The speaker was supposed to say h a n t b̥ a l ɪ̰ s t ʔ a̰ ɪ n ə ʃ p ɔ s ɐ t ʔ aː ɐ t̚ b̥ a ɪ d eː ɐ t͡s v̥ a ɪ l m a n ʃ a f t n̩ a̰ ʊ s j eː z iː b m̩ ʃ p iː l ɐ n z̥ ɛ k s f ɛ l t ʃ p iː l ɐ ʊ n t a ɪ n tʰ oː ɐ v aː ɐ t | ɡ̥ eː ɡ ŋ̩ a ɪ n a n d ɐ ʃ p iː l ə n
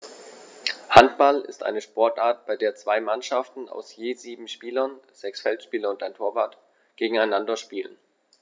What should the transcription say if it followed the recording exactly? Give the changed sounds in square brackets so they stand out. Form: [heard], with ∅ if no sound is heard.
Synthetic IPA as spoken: h a n t b̥ a l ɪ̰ s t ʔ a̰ ɪ n ə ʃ p ɔ [∅] ɐ t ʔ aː ɐ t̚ b̥ a ɪ d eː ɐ t͡s v̥ a ɪ [∅] m a n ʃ a f t n̩ a̰ ʊ s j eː z iː b m̩ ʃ p iː l ɐ n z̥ ɛ k s f ɛ l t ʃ p iː l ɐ ʊ n t a ɪ n tʰ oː ɐ v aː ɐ t | ɡ̥ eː ɡ ŋ̩ a ɪ n a n d ɐ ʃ p iː l ə n

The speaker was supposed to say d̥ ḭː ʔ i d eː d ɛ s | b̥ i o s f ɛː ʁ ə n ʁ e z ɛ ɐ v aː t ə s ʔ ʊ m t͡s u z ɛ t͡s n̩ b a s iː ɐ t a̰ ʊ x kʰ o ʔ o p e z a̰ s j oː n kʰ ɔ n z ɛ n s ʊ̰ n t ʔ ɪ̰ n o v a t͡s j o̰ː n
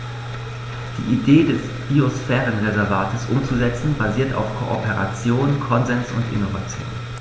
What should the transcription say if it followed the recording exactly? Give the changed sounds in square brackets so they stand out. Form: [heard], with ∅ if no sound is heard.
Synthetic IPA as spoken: d̥ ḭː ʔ i d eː d ɛ s | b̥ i o s f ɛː ʁ ə n ʁ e z ɛ ɐ v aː t ə s ʔ ʊ m t͡s u z ɛ t͡s n̩ b a [z] iː ɐ t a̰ ʊ [f] kʰ o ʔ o p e [ʁ] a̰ [t͡s] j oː n kʰ ɔ n z ɛ n s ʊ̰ n t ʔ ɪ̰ n o v a t͡s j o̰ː n

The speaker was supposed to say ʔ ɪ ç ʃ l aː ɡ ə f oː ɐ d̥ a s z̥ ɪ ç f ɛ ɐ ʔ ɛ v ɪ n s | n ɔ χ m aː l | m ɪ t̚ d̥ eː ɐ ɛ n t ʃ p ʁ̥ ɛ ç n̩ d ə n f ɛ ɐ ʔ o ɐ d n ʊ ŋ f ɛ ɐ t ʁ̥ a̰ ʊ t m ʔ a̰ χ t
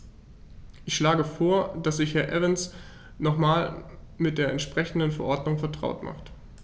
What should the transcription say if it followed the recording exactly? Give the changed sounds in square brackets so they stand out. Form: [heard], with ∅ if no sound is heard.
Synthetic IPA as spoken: ʔ ɪ ç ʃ l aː ɡ ə f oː ɐ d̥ a s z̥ ɪ ç [h] ɛ ɐ ʔ ɛ v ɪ n s | n ɔ χ m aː l | m ɪ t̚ d̥ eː ɐ ɛ n t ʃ p ʁ̥ ɛ ç n̩ d ə n f ɛ ɐ ʔ [ɔ] ɐ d n ʊ ŋ f ɛ ɐ t ʁ̥ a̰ ʊ t m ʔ a̰ χ t

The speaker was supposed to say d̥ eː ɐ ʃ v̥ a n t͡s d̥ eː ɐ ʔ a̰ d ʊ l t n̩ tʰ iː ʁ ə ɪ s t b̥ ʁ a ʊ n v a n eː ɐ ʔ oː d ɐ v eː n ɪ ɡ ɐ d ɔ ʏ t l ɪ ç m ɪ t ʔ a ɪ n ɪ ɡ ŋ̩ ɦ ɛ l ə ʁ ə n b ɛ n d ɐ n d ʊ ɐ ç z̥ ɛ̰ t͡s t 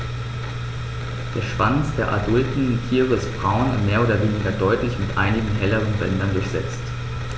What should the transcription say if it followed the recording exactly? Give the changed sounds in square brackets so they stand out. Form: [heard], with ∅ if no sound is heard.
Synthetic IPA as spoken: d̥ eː ɐ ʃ v̥ a n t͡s d̥ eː ɐ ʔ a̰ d ʊ l t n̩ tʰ iː ʁ ə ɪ s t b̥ ʁ a ʊ n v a [m] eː ɐ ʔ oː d ɐ v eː n ɪ ɡ ɐ d ɔ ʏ t l ɪ ç m ɪ t ʔ a ɪ n ɪ ɡ ŋ̩ ɦ ɛ l ə ʁ ə n b ɛ n d ɐ n d ʊ ɐ ç z̥ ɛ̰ t͡s t

